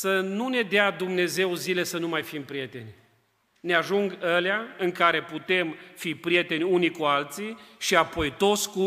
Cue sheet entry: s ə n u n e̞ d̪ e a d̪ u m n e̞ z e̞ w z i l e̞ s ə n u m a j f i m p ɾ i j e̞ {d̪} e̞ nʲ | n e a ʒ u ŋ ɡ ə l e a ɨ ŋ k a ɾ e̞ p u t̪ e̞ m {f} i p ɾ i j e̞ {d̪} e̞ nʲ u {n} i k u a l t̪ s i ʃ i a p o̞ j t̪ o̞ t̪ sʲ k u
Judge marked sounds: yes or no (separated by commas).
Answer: no, yes, no, yes